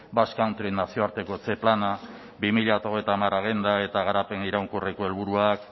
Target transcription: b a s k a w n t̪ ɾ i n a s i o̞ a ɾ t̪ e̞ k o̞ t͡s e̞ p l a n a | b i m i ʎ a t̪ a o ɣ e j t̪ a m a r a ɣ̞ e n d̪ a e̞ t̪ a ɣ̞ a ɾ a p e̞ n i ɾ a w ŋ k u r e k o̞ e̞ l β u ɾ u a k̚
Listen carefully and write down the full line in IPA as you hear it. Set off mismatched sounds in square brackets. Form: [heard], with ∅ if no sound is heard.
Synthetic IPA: b a s k a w n t̪ ɾ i n a s i o̞ a ɾ t̪ e̞ k o̞ t͡s e̞ p l a n a | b i m i ʎ a t̪ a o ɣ e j t̪ a m a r a ɣ̞ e n d̪ a e̞ t̪ a ɣ̞ a ɾ a p e̞ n i ɾ a w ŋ k u r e k o̞ e̞ l β u ɾ u a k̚